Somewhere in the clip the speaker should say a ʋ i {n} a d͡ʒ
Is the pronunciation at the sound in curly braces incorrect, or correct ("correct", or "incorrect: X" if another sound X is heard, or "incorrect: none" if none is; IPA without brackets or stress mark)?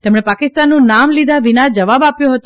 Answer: correct